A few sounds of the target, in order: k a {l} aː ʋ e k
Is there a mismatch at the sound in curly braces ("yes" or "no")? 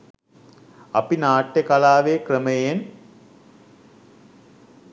no